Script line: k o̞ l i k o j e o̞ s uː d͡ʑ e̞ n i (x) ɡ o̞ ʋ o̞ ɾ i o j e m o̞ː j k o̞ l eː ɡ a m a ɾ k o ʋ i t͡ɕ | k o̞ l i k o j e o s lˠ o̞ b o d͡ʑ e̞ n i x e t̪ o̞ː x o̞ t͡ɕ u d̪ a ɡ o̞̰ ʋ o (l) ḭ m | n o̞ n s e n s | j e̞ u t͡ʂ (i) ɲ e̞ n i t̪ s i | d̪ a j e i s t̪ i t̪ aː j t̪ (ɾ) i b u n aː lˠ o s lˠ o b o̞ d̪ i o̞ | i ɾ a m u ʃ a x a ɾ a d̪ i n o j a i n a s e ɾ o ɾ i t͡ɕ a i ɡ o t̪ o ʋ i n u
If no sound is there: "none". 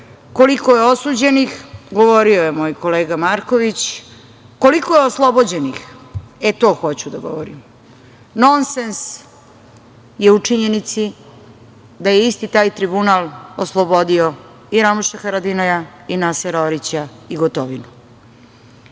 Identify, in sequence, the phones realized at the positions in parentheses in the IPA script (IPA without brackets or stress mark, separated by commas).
x, ɾ, i, ɾ